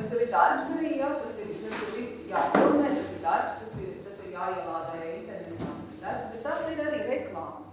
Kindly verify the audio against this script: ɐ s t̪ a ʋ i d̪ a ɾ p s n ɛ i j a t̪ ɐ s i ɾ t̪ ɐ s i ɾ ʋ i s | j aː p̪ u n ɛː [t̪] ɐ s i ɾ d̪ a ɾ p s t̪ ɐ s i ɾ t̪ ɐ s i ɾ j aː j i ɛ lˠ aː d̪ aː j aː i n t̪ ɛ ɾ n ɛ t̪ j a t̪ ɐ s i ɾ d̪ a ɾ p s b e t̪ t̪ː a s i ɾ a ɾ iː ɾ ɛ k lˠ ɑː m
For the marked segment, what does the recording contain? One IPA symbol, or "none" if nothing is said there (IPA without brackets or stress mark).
t̪